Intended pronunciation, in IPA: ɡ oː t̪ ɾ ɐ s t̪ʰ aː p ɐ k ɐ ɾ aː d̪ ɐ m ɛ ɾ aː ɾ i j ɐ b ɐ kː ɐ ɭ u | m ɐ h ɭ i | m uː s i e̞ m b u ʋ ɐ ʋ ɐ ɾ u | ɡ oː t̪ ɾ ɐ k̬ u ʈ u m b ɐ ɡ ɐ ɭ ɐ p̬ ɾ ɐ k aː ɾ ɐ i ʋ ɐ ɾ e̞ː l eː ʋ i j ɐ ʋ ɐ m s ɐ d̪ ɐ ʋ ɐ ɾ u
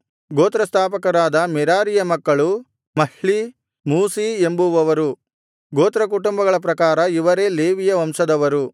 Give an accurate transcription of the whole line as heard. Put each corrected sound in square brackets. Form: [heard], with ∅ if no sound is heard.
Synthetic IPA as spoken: ɡ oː t̪ ɾ ɐ s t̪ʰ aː p ɐ k ɐ ɾ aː d̪ ɐ m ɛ ɾ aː ɾ i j ɐ [m] ɐ kː ɐ ɭ u | m ɐ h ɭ i | m uː s i e̞ m b u ʋ ɐ ʋ ɐ ɾ u | ɡ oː t̪ ɾ ɐ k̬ u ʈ u m b ɐ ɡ ɐ ɭ ɐ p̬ ɾ ɐ k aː ɾ ɐ i ʋ ɐ ɾ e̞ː l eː ʋ i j ɐ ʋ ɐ m s ɐ d̪ ɐ ʋ ɐ ɾ u